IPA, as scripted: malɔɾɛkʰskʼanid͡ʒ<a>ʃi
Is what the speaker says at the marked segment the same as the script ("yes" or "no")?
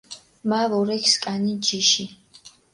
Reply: no